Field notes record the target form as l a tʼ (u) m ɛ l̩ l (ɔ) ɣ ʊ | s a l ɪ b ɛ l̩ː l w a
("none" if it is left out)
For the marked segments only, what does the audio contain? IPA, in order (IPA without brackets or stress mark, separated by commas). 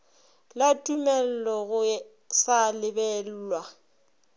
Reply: u, ɔ